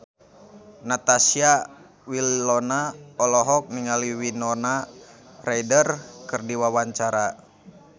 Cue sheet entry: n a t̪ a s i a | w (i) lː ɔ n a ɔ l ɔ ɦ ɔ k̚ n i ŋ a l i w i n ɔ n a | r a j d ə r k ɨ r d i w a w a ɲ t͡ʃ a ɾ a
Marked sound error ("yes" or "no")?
no